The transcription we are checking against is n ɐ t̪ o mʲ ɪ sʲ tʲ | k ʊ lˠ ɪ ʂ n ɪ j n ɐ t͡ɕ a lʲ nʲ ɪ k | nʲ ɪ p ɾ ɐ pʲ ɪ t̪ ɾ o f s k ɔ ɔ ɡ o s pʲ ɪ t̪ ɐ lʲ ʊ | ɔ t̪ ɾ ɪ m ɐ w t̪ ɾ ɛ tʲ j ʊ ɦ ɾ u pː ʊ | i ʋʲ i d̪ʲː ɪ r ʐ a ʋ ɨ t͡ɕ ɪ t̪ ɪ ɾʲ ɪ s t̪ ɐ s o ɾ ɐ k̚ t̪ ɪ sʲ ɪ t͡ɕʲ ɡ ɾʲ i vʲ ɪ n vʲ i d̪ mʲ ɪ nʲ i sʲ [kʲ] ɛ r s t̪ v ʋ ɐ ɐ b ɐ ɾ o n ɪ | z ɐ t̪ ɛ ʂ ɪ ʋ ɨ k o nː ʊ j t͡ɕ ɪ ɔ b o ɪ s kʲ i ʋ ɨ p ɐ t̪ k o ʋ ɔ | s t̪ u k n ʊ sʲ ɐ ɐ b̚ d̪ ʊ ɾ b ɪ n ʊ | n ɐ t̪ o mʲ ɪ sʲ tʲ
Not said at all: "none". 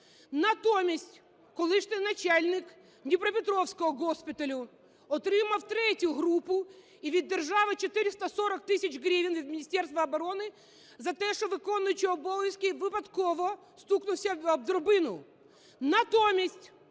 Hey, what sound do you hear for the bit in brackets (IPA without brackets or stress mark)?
tʲ